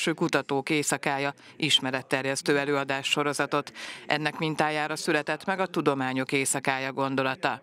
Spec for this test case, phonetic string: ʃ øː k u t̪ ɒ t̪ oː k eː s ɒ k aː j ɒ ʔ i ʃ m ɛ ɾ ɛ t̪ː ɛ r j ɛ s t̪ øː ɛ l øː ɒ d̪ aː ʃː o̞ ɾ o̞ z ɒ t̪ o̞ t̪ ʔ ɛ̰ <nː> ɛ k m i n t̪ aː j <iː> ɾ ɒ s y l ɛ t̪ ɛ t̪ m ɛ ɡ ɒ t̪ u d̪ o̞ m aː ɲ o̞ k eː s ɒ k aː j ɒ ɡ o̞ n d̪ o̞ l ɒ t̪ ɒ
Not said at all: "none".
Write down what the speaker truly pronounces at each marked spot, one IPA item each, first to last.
nː, aː

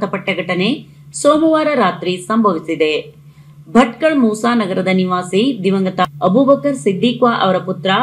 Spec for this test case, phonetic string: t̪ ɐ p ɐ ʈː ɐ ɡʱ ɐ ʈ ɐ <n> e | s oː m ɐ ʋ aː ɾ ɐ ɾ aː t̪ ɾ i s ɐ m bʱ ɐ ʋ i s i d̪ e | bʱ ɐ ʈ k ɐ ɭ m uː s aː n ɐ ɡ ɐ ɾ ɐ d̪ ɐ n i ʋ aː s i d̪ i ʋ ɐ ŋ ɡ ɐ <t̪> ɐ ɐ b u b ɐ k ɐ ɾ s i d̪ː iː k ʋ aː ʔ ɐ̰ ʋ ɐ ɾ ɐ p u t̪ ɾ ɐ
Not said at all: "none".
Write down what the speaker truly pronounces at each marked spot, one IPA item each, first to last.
n, t̪

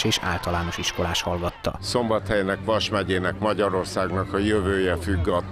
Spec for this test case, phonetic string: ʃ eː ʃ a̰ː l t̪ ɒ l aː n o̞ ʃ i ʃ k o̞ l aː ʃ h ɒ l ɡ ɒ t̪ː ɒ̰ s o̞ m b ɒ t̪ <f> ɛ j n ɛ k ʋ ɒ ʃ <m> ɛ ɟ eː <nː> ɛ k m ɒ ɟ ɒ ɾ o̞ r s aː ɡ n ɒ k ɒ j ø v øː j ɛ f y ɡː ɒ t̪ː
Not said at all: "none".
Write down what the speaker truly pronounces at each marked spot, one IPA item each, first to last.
h, m, n

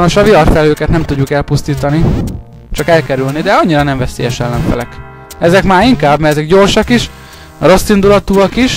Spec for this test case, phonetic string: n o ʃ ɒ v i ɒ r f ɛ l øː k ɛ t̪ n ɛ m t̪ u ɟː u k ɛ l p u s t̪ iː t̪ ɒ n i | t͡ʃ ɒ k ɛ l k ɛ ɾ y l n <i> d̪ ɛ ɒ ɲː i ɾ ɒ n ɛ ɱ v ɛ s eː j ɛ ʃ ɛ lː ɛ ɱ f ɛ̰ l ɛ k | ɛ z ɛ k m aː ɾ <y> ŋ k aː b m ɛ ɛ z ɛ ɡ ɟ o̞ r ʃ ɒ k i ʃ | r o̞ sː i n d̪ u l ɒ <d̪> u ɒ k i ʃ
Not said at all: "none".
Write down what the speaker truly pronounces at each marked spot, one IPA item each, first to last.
i, i, t̪

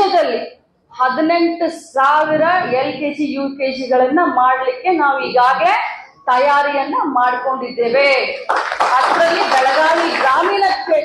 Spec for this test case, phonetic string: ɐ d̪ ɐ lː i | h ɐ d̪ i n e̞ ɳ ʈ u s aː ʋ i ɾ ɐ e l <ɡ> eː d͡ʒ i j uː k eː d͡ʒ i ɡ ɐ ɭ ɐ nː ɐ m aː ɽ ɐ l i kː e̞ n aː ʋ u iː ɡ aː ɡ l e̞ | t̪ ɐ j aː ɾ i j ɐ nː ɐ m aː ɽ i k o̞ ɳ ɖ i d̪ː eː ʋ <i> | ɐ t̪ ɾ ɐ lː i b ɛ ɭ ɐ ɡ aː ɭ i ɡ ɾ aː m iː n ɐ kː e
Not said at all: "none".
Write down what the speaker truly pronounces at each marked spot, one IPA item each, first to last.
k, e

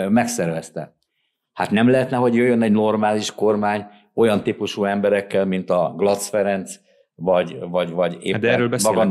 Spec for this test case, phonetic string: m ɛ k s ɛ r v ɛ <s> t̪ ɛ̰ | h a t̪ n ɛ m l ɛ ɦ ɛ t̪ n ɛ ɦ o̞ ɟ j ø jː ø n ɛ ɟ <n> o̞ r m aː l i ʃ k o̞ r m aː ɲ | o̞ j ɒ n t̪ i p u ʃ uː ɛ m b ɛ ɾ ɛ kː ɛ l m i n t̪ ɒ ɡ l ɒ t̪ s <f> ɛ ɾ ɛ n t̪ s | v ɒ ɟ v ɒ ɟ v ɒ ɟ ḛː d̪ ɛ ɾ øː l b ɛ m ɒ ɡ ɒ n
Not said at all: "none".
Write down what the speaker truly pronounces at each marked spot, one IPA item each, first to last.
s, n, f

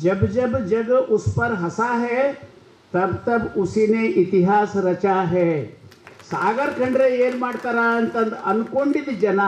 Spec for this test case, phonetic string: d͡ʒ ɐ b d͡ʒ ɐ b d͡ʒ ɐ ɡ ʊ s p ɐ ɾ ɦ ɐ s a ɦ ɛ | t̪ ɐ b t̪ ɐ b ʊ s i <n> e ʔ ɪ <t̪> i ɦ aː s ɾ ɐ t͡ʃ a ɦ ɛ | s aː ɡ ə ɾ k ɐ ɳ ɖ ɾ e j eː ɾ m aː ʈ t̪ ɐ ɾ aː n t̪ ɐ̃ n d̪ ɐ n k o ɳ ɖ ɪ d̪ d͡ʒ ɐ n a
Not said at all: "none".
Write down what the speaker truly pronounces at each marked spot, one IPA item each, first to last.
n, t̪

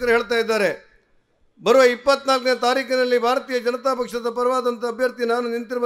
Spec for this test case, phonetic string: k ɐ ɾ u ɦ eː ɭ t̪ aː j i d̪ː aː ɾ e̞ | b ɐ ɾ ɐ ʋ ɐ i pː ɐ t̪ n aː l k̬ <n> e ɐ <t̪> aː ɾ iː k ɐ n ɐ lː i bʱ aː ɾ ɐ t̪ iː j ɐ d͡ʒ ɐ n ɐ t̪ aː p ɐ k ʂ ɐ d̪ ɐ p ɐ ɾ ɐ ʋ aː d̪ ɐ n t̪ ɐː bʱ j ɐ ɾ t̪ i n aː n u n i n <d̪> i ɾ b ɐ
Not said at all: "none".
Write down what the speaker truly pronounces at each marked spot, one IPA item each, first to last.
n, t̪, t̪

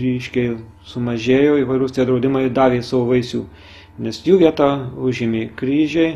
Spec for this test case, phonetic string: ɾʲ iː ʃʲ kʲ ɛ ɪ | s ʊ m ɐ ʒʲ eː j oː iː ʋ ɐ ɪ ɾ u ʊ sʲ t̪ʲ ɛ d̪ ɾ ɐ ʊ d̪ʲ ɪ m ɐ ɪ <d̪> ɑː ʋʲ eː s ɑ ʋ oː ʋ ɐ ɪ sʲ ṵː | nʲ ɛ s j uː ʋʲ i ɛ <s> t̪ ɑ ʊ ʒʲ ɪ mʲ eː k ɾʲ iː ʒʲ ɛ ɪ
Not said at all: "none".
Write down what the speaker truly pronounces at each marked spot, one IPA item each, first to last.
d̪, none

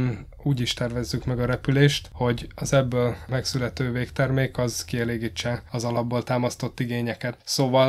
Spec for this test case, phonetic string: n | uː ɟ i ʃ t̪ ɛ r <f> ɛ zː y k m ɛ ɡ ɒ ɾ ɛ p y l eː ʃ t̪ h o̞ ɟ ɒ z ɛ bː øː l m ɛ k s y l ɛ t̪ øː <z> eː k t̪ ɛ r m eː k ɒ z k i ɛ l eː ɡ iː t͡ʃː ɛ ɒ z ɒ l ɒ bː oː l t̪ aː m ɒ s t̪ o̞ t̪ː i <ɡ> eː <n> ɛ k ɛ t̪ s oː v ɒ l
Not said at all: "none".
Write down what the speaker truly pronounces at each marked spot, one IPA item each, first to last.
v, v, ɡ, ɲ

